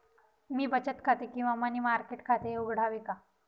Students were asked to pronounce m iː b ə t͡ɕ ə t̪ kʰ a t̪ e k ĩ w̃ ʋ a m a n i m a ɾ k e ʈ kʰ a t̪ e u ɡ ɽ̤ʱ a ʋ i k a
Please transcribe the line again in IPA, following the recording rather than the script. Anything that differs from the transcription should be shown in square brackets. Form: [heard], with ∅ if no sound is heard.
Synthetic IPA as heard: m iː b ə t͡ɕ ə t̪ kʰ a t̪ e k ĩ w̃ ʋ a m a n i m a ɾ k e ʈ kʰ a t̪ e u ɡ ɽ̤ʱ a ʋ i k a